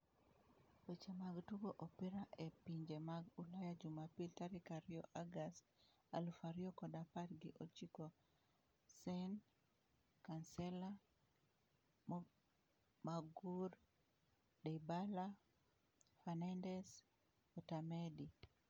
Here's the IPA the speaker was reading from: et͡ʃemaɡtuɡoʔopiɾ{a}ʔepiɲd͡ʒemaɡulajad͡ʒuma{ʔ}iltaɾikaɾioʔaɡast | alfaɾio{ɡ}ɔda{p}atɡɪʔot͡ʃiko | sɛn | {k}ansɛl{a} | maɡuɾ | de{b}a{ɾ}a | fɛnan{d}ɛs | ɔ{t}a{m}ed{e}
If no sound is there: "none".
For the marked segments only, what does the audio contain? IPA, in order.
a, p, k, p, k, a, b, l, d, t, m, i

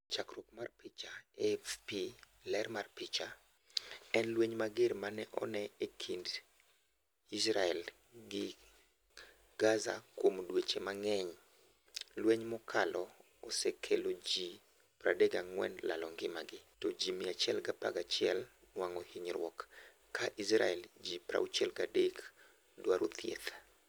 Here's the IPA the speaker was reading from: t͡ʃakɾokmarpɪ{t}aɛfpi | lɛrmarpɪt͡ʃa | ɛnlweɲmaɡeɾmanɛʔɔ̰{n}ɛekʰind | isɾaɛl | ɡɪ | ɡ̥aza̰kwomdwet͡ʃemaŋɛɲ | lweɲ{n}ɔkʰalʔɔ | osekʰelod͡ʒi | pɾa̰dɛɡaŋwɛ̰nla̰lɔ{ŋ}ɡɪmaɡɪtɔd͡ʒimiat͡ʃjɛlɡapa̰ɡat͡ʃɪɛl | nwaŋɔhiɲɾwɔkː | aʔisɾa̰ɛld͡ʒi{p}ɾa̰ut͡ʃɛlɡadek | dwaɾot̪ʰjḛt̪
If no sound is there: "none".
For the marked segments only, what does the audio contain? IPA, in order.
t͡ʃ, n, m, ŋ, p

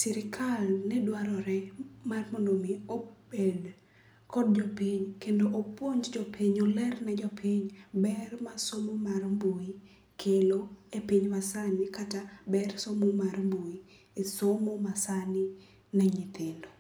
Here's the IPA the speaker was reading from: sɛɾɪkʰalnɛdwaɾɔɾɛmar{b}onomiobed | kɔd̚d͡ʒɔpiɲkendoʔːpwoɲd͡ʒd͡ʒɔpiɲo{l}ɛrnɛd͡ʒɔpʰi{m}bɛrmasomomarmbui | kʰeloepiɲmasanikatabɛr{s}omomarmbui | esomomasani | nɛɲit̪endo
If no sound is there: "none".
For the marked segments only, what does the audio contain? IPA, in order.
m, l, ɲ, s

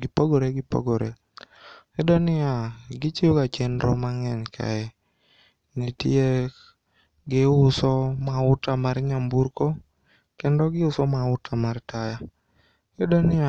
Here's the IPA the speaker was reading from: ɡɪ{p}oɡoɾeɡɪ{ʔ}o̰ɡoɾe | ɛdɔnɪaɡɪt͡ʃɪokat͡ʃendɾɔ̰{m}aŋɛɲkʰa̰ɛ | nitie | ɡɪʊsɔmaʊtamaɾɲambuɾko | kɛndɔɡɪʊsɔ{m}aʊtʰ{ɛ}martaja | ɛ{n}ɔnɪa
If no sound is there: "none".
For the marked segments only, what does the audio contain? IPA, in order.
p, p, m, m, a, d

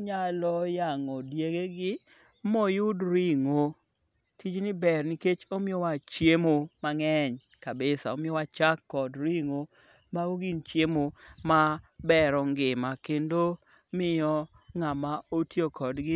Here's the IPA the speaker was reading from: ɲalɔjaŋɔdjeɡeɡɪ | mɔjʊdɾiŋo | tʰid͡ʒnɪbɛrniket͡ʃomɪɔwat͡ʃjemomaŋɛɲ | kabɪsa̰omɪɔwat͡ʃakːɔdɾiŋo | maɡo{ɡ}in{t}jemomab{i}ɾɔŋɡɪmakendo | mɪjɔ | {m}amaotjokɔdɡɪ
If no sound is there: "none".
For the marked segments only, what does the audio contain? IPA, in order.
ɡ, t͡ʃ, ɛ, ŋ

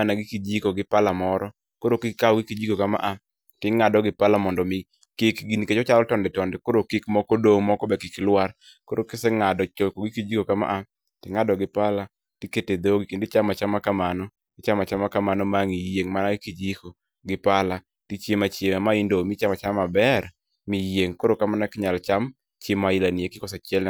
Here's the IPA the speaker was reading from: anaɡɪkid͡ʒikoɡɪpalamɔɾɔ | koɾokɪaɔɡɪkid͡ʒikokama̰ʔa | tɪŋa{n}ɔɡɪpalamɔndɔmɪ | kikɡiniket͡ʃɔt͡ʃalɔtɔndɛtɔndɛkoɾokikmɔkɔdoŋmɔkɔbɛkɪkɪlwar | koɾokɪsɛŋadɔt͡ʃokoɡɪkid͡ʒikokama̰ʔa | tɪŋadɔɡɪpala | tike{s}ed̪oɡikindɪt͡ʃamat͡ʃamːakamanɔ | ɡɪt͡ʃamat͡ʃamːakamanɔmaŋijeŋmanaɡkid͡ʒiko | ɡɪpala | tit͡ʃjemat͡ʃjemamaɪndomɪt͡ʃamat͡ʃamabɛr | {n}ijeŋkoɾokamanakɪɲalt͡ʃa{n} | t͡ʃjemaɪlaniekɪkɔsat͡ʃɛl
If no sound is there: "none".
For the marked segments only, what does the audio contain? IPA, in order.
d, t, m, m

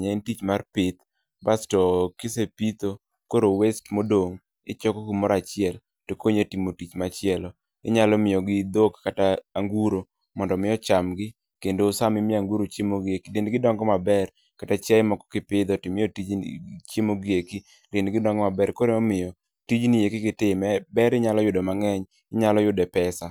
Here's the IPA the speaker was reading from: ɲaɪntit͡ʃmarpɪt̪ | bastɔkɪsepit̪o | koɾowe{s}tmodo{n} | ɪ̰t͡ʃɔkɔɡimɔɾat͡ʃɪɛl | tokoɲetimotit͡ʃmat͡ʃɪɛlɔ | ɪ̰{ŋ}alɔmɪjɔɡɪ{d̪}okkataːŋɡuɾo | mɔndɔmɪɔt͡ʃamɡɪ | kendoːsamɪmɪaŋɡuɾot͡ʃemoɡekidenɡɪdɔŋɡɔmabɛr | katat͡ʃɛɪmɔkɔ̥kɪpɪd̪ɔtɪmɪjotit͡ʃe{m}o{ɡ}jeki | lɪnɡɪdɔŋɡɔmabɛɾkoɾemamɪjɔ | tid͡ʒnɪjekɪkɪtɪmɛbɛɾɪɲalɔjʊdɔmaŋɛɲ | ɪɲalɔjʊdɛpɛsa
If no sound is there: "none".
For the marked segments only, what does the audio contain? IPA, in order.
s, ŋ, ɲ, d̪, m, ɡ

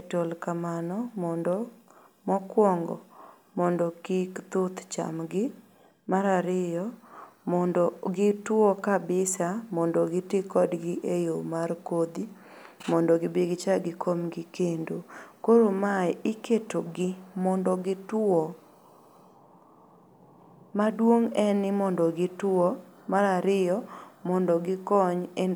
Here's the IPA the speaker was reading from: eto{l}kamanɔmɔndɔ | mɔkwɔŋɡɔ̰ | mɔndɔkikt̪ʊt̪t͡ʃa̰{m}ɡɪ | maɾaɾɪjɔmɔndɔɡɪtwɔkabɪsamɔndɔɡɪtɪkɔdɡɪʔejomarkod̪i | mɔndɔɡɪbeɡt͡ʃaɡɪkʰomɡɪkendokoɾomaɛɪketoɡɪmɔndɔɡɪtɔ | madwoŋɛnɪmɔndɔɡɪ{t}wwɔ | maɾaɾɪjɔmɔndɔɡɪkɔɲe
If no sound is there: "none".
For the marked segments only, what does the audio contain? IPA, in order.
l, m, t

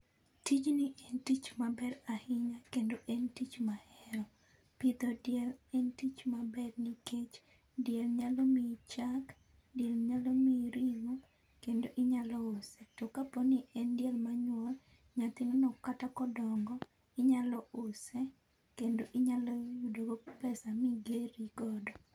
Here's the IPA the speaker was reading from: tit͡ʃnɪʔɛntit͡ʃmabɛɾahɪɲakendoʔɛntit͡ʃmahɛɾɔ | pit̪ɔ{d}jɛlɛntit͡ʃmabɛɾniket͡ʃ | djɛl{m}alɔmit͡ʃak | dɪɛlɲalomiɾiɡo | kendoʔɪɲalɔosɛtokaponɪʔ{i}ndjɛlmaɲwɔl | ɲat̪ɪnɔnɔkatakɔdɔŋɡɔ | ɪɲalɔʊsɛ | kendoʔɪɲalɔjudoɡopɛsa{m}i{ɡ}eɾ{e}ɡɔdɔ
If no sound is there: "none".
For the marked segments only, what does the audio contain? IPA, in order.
d, ɲ, ɛ, m, ɡ, i

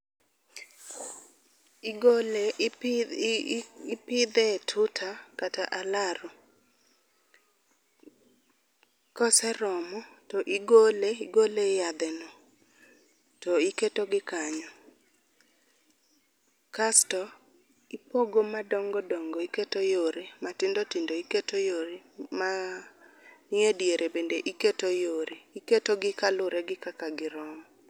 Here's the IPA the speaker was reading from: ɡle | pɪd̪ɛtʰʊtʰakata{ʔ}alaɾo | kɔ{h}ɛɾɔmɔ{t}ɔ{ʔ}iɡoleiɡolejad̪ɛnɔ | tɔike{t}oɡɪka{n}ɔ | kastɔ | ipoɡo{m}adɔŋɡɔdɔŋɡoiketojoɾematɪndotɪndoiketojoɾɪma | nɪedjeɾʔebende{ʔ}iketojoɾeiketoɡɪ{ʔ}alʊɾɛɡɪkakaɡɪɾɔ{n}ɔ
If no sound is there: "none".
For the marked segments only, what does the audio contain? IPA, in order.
ʔ, s, t, ʔ, t, ɲ, m, ʔ, k, m

